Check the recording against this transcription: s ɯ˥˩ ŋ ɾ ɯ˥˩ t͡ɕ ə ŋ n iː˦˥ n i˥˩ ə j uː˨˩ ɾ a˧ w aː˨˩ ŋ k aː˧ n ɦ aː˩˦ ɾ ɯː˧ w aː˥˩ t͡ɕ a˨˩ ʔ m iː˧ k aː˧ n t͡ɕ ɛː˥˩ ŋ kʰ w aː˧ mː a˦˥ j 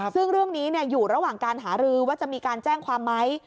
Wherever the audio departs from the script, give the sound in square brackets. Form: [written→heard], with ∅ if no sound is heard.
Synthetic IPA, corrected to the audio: s ɯ˥˩ ŋ ɾ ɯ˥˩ [t͡ɕ→∅] ə ŋ n iː˦˥ n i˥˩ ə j uː˨˩ ɾ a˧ w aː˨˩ ŋ k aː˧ n ɦ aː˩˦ ɾ ɯː˧ w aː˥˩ t͡ɕ a˨˩ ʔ m iː˧ k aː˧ n t͡ɕ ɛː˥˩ ŋ kʰ w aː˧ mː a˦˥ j

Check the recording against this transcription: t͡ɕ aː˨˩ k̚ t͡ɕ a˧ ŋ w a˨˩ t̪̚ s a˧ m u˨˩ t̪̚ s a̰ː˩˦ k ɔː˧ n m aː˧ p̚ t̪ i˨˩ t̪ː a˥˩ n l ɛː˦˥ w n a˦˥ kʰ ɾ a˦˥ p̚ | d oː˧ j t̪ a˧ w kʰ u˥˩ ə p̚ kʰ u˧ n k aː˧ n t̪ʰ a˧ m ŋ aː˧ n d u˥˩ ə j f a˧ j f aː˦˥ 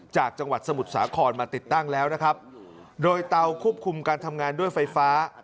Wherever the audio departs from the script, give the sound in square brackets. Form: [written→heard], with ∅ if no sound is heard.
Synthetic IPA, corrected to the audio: t͡ɕ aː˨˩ k̚ t͡ɕ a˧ ŋ w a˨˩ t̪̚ s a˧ m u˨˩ t̪̚ s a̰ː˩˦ [k→kʰ] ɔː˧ n m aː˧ [p̚→∅] t̪ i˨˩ t̪ː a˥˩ [n→ŋ] l ɛː˦˥ w n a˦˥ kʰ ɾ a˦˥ p̚ | d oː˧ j t̪ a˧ w kʰ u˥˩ ə p̚ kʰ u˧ [n→m] k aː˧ n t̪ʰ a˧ m ŋ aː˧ n d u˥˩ ə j f a˧ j f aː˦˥

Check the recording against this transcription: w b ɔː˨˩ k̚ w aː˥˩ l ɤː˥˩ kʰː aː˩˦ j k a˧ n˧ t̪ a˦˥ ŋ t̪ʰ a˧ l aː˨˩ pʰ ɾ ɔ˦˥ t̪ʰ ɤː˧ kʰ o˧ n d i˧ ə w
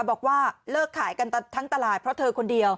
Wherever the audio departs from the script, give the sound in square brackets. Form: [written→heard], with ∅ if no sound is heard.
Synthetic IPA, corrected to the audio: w b ɔː˨˩ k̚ w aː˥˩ l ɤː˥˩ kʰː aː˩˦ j k a˧ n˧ [t̪→t̪ʰ] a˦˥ ŋ [t̪ʰ→t̪] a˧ l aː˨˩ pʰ ɾ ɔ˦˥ t̪ʰ ɤː˧ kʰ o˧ n d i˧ ə w

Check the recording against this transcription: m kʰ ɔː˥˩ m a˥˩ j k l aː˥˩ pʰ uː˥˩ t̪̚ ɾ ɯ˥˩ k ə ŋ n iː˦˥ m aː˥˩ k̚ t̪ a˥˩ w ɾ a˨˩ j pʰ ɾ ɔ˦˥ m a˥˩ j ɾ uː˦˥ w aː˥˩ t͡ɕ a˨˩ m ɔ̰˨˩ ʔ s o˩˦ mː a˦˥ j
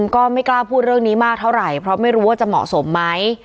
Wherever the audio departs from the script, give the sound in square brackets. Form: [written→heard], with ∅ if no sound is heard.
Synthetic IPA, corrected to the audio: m [kʰ→k] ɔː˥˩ m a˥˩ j k l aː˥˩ pʰ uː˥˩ t̪̚ ɾ ɯ˥˩ [k→∅] ə ŋ n iː˦˥ m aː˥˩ k̚ [t̪→t̪ʰ] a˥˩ w ɾ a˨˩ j pʰ ɾ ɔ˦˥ m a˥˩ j ɾ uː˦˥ w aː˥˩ t͡ɕ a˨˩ m ɔ̰˨˩ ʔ s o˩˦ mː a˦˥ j

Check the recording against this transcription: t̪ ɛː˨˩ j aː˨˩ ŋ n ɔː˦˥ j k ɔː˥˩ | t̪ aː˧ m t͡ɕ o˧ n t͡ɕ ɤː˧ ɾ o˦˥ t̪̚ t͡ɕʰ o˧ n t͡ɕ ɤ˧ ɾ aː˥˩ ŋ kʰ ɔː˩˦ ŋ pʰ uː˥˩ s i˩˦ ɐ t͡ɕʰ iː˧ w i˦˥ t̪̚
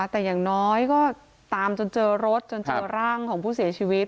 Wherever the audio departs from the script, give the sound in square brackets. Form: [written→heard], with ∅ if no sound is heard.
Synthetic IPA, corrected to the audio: t̪ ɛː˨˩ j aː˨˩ ŋ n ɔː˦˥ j k ɔː˥˩ | t̪ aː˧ m t͡ɕ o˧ n t͡ɕ ɤː˧ ɾ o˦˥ t̪̚ [t͡ɕʰ→t͡ɕ] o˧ n t͡ɕ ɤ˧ ɾ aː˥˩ ŋ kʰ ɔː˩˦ ŋ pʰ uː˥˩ s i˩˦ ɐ t͡ɕʰ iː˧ w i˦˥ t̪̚

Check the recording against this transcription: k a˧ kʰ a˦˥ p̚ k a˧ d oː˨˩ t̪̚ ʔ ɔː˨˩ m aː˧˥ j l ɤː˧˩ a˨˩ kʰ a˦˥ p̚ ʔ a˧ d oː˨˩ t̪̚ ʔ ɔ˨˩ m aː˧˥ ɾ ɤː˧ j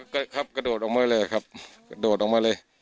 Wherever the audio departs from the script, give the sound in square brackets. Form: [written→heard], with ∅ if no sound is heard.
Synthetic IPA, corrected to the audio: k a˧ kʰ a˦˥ p̚ k a˧ d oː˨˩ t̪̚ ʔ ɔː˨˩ m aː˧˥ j l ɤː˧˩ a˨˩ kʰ a˦˥ p̚ [ʔ→k] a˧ d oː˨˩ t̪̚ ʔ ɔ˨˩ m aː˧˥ [ɾ→l] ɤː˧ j

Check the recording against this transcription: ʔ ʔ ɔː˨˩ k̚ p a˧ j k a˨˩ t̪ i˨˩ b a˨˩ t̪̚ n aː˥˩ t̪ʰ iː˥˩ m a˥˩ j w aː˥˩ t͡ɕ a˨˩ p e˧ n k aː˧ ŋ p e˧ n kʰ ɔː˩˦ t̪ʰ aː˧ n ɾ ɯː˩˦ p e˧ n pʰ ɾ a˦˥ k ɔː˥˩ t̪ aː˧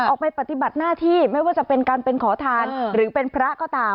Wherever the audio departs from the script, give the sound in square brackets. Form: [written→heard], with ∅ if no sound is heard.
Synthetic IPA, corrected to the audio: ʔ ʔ ɔː˨˩ k̚ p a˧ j [k→p] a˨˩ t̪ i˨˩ b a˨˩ t̪̚ n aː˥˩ t̪ʰ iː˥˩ m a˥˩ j w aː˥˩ t͡ɕ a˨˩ p e˧ n k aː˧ [ŋ→n] p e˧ n kʰ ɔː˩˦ t̪ʰ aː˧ n ɾ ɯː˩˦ p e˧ n pʰ ɾ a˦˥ k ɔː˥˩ t̪ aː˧

